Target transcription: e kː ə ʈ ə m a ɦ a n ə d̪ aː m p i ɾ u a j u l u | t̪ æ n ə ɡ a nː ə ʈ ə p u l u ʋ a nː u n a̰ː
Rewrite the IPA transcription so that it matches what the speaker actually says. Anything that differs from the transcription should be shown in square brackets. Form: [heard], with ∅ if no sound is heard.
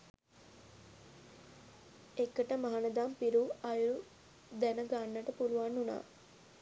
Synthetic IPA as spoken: e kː ə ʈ ə m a ɦ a n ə d̪ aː m p i ɾ u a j u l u | [d̪] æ n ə ɡ a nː ə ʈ ə p u l u ʋ a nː u n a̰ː